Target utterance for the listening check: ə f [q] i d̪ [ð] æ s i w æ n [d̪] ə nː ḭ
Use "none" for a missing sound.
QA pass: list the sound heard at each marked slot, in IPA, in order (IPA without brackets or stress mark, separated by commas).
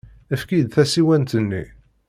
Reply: k, θ, t̪